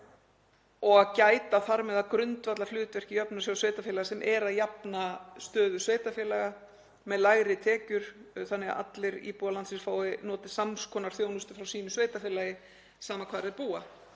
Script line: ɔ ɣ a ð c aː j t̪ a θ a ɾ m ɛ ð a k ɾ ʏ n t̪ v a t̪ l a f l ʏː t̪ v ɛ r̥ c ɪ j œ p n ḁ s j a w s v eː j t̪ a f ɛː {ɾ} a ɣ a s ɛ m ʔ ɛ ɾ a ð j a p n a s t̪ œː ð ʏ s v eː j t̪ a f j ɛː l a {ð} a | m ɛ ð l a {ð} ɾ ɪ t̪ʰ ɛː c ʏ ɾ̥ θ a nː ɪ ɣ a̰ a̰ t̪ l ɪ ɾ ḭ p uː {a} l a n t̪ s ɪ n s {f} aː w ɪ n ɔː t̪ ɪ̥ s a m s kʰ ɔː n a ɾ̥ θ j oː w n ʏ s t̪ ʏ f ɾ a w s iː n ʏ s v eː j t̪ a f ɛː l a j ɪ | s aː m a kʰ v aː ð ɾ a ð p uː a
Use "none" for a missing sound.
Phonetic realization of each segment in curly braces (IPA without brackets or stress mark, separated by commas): l, ɣ, ɣ, a, f